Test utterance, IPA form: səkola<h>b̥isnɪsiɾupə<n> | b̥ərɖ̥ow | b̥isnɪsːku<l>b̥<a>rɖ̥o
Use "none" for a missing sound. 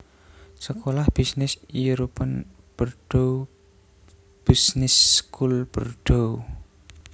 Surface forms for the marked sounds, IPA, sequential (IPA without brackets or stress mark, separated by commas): h, n, l, ə